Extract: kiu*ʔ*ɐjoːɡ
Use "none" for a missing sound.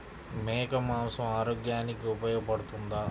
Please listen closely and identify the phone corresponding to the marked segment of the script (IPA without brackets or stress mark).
p